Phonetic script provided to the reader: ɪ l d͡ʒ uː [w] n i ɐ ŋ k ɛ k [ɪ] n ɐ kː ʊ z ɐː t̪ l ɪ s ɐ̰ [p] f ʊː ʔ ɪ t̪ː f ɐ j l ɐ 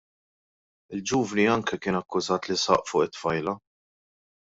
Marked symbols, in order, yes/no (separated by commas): no, no, no